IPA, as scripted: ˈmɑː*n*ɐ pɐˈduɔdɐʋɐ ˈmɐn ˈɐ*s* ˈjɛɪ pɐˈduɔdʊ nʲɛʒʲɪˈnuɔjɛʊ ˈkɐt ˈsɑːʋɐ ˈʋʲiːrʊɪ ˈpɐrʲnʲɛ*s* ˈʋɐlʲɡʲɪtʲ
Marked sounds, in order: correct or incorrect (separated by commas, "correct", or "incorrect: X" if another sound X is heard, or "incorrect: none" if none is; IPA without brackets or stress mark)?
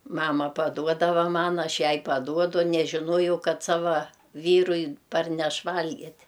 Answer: incorrect: m, incorrect: ʃ, incorrect: ʃ